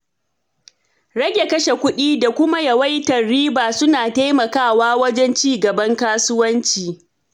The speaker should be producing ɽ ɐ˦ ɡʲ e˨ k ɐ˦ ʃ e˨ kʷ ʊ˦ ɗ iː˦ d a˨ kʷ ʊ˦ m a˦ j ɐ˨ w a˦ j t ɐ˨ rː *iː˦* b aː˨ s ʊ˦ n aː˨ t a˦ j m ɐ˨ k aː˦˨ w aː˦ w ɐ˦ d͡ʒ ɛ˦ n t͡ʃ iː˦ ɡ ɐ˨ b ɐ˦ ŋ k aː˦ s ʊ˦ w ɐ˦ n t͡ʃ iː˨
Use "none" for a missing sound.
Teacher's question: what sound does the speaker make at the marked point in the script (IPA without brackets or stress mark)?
iː˦